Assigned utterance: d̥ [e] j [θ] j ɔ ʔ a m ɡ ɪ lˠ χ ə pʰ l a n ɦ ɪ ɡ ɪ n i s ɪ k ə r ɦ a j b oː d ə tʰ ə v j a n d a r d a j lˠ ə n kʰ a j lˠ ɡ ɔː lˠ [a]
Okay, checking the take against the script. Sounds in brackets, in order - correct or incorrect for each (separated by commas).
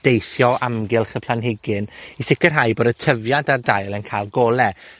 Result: correct, correct, incorrect